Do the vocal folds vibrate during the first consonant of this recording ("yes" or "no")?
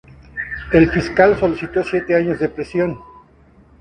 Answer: yes